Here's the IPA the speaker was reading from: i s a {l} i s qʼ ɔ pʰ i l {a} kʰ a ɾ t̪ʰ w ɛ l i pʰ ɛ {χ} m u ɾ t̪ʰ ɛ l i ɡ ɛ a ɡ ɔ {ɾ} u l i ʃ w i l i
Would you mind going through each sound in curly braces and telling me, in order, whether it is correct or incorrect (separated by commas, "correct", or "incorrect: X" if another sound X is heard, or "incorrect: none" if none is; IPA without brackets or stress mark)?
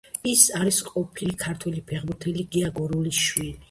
incorrect: ɾ, incorrect: i, incorrect: ʁ, correct